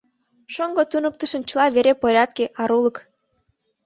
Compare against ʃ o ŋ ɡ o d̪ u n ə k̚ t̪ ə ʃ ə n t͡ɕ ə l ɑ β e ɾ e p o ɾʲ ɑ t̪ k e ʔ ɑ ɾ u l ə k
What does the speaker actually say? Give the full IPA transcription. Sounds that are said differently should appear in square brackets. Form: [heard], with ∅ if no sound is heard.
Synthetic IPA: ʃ o ŋ ɡ o [t̪] u n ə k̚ t̪ ə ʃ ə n t͡ɕ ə l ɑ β e ɾ e p o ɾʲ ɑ t̪ k e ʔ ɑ ɾ u l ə k